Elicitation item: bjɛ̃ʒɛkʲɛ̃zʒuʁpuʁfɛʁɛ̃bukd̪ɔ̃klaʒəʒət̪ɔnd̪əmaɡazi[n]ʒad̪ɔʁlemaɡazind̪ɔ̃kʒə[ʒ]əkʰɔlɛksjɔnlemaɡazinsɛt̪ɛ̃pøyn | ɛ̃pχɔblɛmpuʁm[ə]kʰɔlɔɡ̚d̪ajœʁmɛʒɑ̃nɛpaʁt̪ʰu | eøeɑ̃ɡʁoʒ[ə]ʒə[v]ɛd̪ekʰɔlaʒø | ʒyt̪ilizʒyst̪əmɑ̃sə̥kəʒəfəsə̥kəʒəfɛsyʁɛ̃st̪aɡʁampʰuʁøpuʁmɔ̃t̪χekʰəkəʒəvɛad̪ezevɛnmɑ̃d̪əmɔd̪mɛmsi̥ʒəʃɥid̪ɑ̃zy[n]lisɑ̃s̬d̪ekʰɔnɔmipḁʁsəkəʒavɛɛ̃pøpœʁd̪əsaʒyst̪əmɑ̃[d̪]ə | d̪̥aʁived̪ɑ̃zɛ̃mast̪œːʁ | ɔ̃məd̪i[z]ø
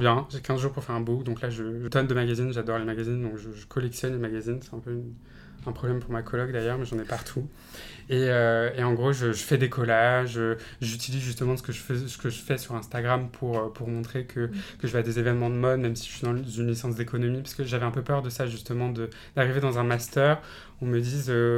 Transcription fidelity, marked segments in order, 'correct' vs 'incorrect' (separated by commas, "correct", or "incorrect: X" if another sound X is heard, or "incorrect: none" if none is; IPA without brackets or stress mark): correct, correct, incorrect: a, correct, incorrect: f, correct, correct, correct